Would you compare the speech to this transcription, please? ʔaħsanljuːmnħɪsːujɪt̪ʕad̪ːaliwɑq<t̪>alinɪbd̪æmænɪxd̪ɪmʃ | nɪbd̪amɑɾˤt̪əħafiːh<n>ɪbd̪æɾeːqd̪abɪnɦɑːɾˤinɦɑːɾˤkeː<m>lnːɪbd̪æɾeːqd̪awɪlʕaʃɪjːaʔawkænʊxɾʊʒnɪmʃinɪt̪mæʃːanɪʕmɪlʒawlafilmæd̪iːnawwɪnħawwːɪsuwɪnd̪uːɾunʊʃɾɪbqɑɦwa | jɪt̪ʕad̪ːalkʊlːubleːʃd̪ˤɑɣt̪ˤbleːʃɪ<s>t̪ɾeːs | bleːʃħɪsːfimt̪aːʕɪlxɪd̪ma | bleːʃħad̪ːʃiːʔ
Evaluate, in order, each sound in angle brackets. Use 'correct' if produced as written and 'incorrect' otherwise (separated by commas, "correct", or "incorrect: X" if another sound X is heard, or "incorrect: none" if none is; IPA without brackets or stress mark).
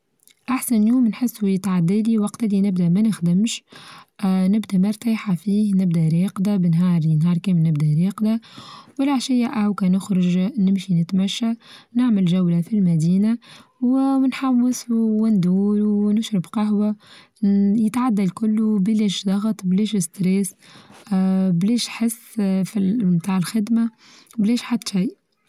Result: correct, correct, correct, correct